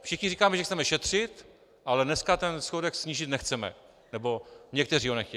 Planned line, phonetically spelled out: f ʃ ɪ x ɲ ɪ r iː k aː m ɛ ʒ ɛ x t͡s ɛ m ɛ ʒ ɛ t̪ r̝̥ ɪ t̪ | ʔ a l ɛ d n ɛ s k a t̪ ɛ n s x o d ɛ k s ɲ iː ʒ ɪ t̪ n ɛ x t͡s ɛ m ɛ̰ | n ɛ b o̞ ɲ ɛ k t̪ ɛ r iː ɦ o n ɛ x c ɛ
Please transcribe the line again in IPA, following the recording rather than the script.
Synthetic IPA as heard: f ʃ ɪ x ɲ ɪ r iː k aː m ɛ ʒ ɛ x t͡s ɛ m ɛ ʃ ɛ t̪ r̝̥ ɪ t̪ | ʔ a l ɛ d n ɛ s k a t̪ ɛ n s x o d ɛ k s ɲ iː ʒ ɪ t̪ n ɛ x t͡s ɛ m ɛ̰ | n ɛ b o̞ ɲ ɛ k t̪ ɛ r iː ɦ o n ɛ x c ɛ